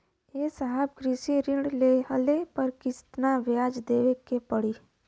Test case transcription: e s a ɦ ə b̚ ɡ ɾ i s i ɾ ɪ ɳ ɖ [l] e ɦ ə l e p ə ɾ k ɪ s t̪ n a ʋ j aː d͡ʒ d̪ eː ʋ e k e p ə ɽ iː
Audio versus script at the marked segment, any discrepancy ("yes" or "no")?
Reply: no